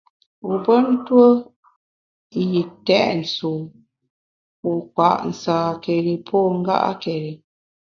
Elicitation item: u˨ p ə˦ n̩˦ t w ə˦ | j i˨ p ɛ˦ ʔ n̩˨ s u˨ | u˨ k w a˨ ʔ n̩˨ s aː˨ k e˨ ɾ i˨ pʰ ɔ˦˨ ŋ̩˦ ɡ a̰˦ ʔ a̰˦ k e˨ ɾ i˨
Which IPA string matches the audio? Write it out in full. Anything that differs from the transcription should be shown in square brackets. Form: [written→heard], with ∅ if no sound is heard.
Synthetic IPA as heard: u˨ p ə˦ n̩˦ t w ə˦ | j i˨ [p→t] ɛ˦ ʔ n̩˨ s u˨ | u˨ k w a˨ ʔ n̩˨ s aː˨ k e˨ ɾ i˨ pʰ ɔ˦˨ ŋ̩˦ ɡ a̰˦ ʔ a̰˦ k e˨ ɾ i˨